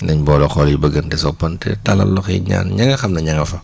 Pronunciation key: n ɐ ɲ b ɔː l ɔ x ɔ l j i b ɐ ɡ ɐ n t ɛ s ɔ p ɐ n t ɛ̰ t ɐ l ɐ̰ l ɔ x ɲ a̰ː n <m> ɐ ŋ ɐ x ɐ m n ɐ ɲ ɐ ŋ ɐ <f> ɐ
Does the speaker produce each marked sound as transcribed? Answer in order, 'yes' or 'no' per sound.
no, yes

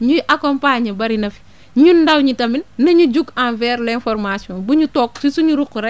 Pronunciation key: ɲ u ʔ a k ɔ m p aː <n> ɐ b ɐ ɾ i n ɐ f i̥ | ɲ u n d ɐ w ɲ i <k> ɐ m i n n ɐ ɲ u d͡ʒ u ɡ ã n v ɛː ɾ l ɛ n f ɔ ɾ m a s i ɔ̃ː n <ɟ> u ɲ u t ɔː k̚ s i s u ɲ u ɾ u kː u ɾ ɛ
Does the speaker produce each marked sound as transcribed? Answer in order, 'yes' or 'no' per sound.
no, no, no

